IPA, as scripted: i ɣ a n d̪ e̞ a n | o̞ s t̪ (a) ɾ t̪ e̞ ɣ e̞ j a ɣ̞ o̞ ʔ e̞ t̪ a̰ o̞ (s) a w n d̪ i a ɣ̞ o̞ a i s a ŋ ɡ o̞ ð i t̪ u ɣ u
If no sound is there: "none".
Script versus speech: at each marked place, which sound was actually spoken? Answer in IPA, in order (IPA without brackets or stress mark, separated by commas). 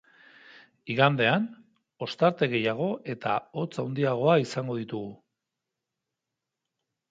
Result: a, t͡s